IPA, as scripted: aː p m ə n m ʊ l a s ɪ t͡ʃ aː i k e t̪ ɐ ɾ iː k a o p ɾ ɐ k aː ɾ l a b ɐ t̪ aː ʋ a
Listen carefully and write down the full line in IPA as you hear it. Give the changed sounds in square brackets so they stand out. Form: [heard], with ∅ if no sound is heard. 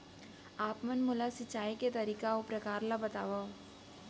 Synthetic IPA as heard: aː p m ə n m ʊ l a s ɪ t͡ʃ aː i k e t̪ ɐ ɾ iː k a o p ɾ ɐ k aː ɾ l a b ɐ t̪ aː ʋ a